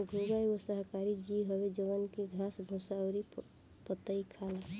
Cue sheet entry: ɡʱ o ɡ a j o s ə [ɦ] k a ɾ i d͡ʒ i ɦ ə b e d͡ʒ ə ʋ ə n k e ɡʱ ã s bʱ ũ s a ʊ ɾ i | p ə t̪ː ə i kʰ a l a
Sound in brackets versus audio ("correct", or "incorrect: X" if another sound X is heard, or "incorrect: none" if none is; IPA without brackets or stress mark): correct